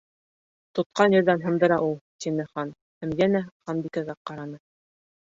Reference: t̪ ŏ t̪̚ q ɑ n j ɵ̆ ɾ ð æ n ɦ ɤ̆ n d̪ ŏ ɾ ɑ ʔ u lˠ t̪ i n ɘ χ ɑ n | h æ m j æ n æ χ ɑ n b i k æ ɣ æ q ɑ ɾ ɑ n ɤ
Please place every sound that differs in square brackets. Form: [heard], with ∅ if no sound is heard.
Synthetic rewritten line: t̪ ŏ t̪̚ q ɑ n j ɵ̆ ɾ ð æ n ɦ ɤ̆ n d̪ [ɤ̆] ɾ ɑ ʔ u lˠ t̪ i n ɘ χ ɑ n | h æ m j æ n æ χ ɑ n b i k æ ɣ æ q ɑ ɾ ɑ n ɤ